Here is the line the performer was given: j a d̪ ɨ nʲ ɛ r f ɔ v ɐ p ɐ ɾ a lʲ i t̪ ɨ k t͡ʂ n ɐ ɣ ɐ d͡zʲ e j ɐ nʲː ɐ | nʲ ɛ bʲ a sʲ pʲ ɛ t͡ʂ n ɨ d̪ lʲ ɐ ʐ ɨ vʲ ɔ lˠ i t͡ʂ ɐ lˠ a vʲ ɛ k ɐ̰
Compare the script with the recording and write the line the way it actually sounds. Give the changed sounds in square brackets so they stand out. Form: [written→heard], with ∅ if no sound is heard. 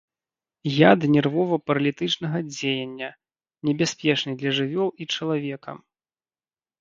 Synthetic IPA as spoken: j a d̪ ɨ nʲ ɛ r [f→v] ɔ v ɐ p ɐ ɾ [a→ɐ] lʲ i t̪ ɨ [k→∅] t͡ʂ n ɐ ɣ ɐ d͡zʲ e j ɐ nʲː ɐ | nʲ ɛ bʲ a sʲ pʲ ɛ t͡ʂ n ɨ d̪ lʲ ɐ ʐ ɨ vʲ ɔ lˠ i t͡ʂ ɐ lˠ a vʲ ɛ k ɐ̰